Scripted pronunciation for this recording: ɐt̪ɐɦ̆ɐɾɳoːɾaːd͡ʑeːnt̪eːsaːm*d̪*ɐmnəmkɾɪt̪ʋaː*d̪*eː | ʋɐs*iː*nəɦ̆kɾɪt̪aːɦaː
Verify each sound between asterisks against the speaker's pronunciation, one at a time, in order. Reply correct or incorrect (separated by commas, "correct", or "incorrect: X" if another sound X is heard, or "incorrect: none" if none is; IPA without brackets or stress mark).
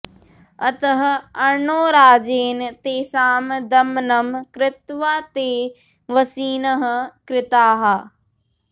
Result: correct, incorrect: t̪, correct